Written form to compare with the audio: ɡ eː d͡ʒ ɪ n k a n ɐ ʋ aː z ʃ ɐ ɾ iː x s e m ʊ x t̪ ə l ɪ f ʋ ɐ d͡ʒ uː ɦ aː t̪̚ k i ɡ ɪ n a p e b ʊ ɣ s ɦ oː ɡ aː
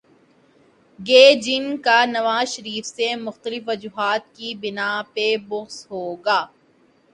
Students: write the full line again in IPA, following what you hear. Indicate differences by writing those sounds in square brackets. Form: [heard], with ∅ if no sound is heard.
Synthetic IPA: ɡ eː d͡ʒ ɪ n k a n ɐ ʋ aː z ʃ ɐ ɾ iː [f] s e m ʊ x t̪ ə l ɪ f ʋ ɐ d͡ʒ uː ɦ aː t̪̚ k i [b] ɪ n a p e b ʊ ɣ s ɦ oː ɡ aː